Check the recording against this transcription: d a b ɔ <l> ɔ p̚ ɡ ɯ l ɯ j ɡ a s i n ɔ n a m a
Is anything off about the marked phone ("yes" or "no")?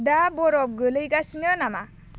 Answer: yes